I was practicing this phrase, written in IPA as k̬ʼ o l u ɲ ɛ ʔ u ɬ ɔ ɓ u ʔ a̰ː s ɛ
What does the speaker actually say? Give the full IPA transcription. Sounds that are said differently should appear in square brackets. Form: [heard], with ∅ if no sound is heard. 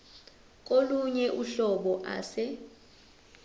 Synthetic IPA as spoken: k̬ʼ o l u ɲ ɛ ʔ u ɬ ɔ ɓ [ɔ] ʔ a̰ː s ɛ

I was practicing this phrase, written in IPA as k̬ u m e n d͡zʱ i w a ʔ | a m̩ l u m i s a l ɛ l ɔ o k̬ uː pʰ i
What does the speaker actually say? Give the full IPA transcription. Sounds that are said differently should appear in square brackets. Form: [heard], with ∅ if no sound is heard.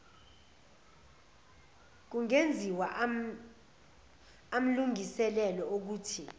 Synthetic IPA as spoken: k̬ u [ŋ] e n d͡zʱ i w a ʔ | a m̩ l u [ŋ] i s [ɛ] l ɛ l ɔ o k̬ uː [tʰ] i

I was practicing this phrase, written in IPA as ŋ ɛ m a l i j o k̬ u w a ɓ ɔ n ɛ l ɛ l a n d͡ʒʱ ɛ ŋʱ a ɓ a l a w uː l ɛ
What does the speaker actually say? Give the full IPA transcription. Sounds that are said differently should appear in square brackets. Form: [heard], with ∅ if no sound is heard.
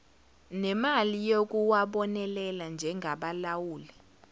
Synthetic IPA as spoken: [n] ɛ m a l i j o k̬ u w a ɓ ɔ n ɛ l ɛ l a n d͡ʒʱ ɛ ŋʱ a ɓ a l a w uː l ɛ

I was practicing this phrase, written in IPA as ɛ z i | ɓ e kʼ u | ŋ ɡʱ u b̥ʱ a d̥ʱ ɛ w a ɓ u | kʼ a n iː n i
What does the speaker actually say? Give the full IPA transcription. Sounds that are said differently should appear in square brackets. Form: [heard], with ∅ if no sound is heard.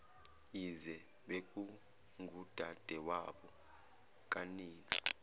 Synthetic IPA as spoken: [i] z [ɛ] | ɓ e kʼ u | ŋ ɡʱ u [d̥ʱ] a d̥ʱ ɛ w a ɓ [ɔ] | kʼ a n iː n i

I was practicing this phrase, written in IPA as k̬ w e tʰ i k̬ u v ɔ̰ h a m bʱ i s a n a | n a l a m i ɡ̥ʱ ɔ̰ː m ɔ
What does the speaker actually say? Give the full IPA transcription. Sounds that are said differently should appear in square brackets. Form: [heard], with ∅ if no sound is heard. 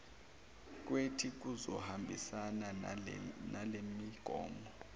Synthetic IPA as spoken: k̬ w e tʰ i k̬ u [z] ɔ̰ h a m bʱ i s a n a | n a l [e] m i ɡ̥ʱ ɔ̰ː m ɔ

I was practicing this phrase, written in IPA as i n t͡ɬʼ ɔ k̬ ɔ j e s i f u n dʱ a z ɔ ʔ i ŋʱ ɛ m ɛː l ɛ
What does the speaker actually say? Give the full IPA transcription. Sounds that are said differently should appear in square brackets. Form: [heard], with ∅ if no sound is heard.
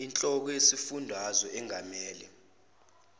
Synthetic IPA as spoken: i n t͡ɬʼ ɔ k̬ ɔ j e s i f u n dʱ a z ɔ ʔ [ɛ] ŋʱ [a] m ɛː l ɛ

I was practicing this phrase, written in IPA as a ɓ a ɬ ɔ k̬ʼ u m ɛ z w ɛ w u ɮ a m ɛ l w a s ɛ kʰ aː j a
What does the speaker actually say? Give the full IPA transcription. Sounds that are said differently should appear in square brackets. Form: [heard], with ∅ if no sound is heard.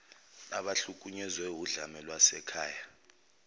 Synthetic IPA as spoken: a ɓ a ɬ [u] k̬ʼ u [ɲ] ɛ z w ɛ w u ɮ a m ɛ l w a s ɛ kʰ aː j a

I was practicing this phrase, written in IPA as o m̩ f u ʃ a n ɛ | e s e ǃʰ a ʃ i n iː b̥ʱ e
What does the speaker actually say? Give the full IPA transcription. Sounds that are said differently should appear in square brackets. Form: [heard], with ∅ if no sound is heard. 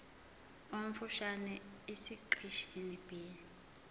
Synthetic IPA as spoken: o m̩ f u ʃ a n ɛ | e s [i] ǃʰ [i] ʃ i n [i] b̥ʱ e

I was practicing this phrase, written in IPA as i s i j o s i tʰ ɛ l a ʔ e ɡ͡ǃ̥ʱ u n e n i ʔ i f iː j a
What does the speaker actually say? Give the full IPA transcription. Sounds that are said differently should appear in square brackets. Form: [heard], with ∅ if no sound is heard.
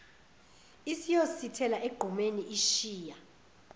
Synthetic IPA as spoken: i s i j o s i tʰ ɛ l a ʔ e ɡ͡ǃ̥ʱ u [m] e n i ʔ i [ʃ] iː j a

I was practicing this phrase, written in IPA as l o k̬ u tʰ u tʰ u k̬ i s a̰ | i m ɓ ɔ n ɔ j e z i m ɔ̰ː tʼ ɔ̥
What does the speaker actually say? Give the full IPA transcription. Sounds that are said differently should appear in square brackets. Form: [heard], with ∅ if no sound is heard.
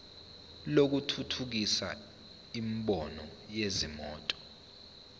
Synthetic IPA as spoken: l o k̬ u tʰ u tʰ u k̬ i s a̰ | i m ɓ ɔ n ɔ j e z i m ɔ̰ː tʼ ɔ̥

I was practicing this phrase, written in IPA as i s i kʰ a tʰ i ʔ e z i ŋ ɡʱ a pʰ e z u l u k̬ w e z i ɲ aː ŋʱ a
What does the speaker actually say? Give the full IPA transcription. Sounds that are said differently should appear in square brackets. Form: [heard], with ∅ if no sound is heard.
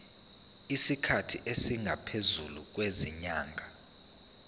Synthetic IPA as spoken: i s i kʰ a tʰ i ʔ e [s] i ŋ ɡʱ a pʰ e z u l u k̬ w e z i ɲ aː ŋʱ a

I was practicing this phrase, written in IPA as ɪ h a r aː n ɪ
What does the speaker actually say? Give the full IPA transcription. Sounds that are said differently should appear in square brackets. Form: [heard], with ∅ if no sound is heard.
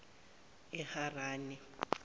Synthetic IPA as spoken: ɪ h a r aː n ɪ

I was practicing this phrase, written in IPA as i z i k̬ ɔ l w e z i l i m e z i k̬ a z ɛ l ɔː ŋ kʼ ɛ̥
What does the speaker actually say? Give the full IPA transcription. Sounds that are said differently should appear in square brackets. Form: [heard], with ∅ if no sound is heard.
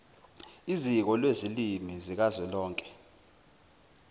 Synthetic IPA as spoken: i z i k̬ ɔ l w e z i l i m [i] z i k̬ a z ɛ l ɔː ŋ kʼ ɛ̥

